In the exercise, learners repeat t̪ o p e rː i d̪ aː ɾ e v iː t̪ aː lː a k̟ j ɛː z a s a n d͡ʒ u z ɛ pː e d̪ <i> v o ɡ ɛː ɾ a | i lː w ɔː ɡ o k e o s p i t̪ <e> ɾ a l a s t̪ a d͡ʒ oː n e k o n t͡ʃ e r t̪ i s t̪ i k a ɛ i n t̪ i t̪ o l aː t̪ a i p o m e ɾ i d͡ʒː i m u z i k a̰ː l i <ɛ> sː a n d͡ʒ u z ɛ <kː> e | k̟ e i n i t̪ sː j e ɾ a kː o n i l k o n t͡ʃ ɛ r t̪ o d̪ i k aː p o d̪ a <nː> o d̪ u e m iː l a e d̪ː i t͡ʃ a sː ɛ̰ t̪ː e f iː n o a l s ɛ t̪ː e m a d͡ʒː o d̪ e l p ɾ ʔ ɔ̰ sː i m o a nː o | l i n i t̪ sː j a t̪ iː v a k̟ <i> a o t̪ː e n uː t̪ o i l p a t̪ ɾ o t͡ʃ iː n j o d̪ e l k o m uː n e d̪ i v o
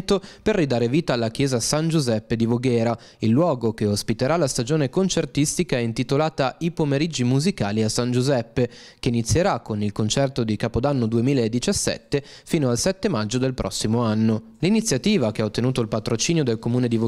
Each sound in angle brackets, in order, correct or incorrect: correct, correct, incorrect: a, incorrect: pː, correct, incorrect: e

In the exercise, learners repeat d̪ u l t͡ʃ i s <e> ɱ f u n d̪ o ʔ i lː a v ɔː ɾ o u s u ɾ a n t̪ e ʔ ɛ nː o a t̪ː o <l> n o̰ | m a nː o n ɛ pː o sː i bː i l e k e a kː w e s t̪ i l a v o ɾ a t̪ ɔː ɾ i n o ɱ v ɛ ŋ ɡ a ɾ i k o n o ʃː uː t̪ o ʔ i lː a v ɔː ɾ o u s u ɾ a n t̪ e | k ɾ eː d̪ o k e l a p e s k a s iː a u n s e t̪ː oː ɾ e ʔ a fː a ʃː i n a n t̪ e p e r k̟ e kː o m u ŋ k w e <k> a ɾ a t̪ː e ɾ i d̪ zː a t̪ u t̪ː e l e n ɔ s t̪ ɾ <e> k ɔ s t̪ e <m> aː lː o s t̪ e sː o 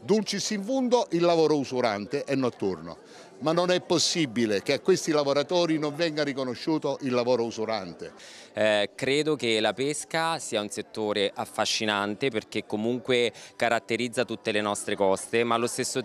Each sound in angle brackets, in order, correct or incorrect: incorrect: i, incorrect: r, correct, correct, correct

